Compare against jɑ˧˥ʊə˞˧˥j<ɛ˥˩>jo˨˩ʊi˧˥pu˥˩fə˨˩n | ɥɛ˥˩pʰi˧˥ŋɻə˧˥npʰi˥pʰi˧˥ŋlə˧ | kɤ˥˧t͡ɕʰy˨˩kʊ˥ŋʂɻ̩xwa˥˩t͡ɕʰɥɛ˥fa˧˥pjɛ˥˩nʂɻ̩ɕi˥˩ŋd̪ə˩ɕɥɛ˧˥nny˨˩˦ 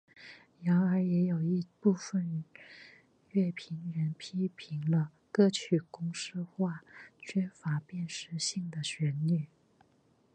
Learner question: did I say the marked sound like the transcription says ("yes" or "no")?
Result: no